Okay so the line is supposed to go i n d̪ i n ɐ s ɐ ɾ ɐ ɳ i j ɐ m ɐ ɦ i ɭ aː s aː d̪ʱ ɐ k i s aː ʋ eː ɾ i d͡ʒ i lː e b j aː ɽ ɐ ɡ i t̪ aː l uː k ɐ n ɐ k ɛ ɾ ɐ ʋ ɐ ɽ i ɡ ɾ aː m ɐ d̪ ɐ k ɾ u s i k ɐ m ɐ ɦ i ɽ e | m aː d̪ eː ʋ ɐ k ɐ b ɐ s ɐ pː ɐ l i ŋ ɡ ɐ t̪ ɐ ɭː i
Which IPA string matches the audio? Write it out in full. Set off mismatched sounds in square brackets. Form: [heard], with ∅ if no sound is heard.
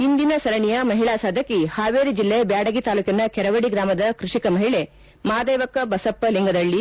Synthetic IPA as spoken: i n d̪ i n ɐ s ɐ ɾ ɐ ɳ i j ɐ m ɐ ɦ i ɭ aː s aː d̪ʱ ɐ k i [h] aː ʋ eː ɾ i d͡ʒ i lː e b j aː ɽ ɐ ɡ i t̪ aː l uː k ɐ n ɐ k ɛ ɾ ɐ ʋ ɐ ɽ i ɡ ɾ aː m ɐ d̪ ɐ k ɾ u [ʂ] i k ɐ m ɐ ɦ i [ɭ] e | m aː d̪ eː ʋ ɐ k ɐ b ɐ s ɐ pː ɐ l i ŋ ɡ ɐ [d̪] ɐ ɭː i